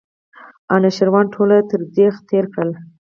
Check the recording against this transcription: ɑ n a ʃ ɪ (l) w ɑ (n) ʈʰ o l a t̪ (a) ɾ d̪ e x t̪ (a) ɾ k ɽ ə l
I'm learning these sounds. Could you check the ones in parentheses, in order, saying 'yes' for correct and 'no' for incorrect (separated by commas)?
no, yes, no, no